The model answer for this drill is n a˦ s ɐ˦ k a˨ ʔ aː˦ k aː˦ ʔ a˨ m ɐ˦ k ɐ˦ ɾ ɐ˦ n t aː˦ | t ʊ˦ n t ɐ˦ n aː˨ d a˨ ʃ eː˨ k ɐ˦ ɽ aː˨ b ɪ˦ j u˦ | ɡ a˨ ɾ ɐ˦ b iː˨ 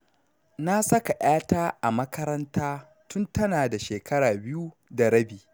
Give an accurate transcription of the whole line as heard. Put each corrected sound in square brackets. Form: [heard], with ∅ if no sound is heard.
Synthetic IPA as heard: n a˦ s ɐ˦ k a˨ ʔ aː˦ [t] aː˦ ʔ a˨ m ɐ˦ k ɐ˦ ɾ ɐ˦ n t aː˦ | t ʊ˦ n t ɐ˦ n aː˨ d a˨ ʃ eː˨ k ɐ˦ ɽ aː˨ b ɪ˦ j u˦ | [d] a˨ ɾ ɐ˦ b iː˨